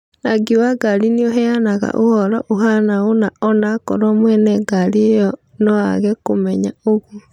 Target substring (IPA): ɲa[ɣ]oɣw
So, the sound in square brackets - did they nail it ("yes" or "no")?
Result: no